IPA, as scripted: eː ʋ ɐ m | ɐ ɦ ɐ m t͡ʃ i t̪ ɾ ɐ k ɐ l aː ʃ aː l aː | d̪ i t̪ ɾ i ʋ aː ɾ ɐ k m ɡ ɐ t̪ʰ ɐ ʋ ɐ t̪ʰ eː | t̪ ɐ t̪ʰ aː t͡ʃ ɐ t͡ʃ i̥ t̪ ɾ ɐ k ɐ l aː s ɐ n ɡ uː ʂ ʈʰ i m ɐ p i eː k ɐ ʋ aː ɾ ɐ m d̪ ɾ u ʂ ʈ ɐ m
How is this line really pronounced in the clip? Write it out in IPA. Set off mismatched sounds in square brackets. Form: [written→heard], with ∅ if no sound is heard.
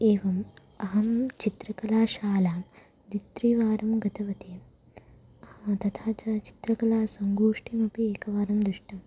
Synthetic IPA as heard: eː ʋ ɐ m | ɐ ɦ ɐ m t͡ʃ i t̪ ɾ ɐ k ɐ l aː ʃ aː l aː | d̪ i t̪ ɾ i ʋ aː ɾ ɐ [k→∅] m ɡ ɐ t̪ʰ ɐ ʋ ɐ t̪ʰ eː | t̪ ɐ t̪ʰ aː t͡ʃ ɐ t͡ʃ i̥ t̪ ɾ ɐ k ɐ l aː s ɐ [n→ŋ] ɡ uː ʂ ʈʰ i m ɐ p i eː k ɐ ʋ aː ɾ ɐ m d̪ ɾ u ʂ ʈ ɐ m